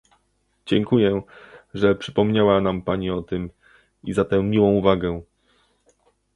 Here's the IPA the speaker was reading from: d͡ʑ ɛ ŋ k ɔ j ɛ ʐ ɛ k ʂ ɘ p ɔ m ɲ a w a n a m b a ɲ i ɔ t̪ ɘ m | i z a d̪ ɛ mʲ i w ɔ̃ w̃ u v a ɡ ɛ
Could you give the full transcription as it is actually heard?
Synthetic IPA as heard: d͡ʑ ɛ ŋ k u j ɛ ʐ ɛ p ʂ ɘ p ɔ m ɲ a w a n a m p a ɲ i ɔ t̪ ɘ m | i z a t̪ ɛ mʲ i w ɔ̃ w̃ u v a ɡ ɛ